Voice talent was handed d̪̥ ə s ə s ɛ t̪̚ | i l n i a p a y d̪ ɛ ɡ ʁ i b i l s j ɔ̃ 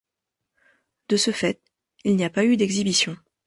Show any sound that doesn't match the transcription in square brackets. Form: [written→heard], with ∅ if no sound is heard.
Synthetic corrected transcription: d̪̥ ə s ə [s→f] ɛ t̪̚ | i l n i a p a y d̪ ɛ ɡ [ʁ→z] i b i [l→∅] s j ɔ̃